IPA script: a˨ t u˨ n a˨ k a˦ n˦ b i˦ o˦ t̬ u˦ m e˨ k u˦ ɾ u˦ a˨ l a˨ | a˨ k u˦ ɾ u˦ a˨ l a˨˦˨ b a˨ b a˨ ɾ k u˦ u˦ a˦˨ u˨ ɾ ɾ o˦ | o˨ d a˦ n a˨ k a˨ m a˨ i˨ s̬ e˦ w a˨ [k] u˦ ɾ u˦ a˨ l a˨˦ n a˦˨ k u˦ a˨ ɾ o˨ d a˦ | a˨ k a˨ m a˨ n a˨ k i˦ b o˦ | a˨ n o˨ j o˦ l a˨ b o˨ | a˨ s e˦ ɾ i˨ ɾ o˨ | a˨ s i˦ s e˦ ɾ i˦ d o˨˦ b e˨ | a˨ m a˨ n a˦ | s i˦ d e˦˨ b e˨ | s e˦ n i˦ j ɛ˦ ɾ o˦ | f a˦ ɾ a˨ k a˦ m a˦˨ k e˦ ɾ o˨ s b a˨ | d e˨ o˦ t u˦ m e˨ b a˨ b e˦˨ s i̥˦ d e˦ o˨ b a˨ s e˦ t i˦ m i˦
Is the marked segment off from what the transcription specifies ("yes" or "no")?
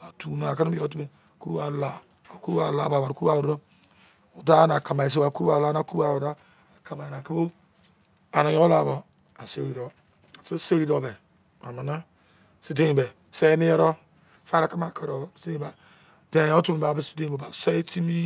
no